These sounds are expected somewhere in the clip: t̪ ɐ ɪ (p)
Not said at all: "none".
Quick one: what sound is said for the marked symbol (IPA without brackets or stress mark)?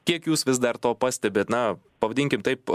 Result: p